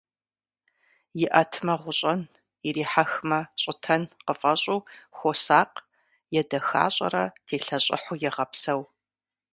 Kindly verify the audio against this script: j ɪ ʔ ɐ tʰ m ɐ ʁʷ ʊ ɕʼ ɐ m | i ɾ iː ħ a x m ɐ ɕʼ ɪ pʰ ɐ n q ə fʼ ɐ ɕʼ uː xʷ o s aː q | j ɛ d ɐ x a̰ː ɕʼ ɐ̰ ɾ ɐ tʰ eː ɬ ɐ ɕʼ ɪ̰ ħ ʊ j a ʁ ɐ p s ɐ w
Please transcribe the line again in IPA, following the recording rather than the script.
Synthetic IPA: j ɪ ʔ ɐ tʰ m ɐ ʁʷ ʊ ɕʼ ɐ n | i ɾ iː ħ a x m ɐ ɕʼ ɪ tʰ ɐ n q ə fʼ ɐ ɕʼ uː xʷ o s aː q | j ɛ d ɐ x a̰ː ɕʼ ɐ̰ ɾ ɐ tʰ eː ɬ ɐ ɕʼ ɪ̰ ħ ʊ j ɛ ʁ ɐ p s ɐ w